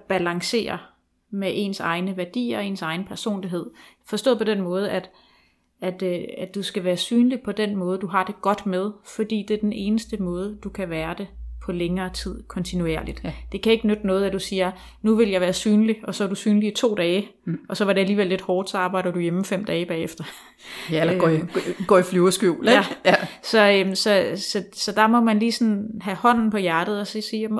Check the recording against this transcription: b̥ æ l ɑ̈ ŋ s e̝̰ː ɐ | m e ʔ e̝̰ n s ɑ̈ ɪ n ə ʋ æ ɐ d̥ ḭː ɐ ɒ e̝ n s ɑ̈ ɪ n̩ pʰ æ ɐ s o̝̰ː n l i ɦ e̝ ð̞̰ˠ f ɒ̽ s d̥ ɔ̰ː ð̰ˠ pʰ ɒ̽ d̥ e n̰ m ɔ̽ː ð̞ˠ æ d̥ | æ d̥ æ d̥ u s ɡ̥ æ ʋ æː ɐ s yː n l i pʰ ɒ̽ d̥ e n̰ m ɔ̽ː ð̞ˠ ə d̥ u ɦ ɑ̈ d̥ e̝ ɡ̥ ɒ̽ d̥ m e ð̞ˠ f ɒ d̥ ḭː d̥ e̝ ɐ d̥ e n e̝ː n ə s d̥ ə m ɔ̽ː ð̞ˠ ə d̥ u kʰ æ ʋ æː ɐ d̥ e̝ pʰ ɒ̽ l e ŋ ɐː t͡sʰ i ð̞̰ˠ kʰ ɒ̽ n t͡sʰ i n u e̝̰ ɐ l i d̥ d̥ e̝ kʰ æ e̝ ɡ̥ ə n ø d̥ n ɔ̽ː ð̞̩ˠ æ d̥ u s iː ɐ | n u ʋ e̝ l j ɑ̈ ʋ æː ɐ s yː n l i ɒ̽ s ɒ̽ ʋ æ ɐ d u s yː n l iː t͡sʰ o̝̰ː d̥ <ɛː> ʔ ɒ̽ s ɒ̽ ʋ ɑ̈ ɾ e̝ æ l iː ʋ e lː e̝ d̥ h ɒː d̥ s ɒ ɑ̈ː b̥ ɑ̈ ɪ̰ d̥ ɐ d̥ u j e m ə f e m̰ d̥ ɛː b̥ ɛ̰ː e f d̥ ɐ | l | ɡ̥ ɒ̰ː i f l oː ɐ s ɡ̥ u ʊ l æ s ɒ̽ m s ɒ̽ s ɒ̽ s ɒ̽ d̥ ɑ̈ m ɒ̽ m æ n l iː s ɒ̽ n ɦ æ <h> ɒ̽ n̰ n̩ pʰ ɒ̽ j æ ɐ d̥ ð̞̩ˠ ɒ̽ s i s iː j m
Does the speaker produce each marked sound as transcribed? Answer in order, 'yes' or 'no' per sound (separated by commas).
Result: yes, yes